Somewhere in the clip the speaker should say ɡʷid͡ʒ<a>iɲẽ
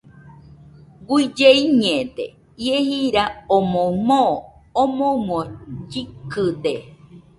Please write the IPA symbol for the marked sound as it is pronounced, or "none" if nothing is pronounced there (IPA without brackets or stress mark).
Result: e